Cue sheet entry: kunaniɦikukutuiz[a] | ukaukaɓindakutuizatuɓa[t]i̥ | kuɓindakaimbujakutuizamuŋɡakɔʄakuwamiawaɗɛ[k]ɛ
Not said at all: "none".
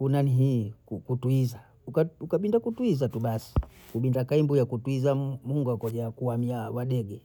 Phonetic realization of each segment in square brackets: a, s, ɡ

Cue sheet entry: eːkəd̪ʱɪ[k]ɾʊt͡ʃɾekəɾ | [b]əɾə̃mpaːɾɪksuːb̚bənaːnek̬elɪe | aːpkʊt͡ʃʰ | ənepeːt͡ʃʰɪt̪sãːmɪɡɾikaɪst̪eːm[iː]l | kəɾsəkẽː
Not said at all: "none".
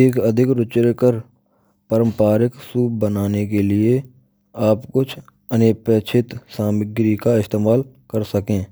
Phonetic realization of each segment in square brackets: k, p, aː

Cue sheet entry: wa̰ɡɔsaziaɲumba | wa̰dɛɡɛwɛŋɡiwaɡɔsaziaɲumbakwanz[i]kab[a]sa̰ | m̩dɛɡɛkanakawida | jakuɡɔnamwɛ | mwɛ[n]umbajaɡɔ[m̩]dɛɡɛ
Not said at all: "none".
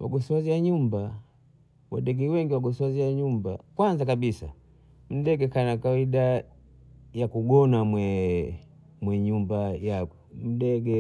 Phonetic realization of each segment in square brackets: a, i, ɲ, m̩

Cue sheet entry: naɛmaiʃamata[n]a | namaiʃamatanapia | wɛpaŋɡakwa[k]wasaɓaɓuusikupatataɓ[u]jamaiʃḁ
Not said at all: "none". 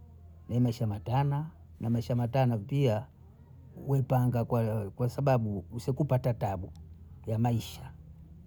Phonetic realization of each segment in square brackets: n, k, u

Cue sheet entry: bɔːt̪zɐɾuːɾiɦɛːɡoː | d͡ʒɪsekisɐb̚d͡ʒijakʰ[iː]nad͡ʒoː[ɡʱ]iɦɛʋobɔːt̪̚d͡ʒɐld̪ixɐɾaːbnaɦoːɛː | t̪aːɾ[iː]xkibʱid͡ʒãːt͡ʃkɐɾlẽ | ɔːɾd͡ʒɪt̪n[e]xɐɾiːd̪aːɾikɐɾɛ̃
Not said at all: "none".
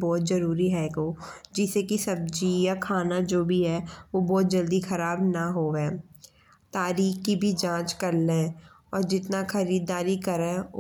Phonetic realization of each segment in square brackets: aː, bʱ, iː, a

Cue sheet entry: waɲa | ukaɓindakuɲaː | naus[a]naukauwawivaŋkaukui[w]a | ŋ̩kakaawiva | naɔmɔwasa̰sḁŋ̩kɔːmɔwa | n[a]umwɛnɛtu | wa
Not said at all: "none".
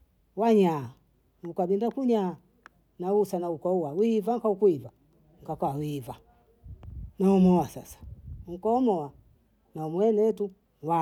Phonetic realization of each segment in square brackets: a, v, a

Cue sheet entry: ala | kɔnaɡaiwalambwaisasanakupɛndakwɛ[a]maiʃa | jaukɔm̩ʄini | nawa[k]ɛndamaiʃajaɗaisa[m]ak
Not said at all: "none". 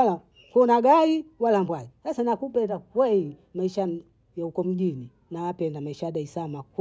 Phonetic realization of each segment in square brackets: i, p, m

